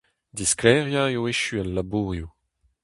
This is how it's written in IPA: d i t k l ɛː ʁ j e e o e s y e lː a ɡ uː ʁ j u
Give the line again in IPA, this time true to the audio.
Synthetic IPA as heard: d i s k l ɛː ʁ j a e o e ʃ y a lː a b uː ʁ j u